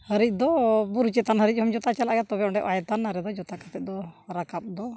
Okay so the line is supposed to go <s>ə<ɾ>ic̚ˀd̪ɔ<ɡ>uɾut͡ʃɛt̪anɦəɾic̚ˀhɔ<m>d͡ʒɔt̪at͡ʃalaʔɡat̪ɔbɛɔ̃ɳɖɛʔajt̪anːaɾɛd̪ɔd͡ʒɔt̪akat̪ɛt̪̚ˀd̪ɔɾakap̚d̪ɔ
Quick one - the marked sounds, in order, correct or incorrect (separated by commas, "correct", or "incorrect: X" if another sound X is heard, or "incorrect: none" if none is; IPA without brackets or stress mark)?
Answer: incorrect: h, correct, incorrect: b, correct